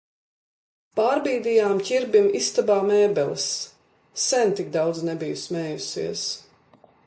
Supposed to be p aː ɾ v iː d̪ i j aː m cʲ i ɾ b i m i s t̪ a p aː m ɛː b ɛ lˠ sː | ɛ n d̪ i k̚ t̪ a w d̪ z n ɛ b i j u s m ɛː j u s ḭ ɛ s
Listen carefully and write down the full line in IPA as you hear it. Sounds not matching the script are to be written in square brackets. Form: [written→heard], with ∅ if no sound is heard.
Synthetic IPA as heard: p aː ɾ [v→b] iː d̪ i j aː m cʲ i ɾ b i m i s t̪ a [p→b] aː m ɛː b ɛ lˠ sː | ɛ n [d̪→t̪] i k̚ [t̪→d̪] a w d̪ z n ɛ b i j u s m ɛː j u s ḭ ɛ s